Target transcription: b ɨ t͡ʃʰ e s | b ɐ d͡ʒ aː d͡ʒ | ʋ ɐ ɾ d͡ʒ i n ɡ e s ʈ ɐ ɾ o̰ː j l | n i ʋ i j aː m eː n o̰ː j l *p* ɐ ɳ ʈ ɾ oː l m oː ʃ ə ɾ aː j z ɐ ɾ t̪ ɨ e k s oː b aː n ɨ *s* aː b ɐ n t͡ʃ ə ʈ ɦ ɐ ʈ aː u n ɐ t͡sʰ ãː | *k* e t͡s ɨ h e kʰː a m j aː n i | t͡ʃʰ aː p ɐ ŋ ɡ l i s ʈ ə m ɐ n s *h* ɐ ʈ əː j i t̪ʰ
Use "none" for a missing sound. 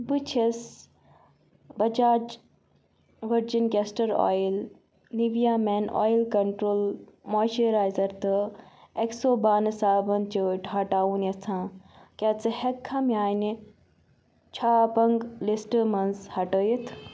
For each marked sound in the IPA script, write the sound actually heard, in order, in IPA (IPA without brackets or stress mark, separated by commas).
k, s, k, h